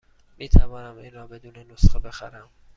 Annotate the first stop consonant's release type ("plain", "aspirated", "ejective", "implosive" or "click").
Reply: aspirated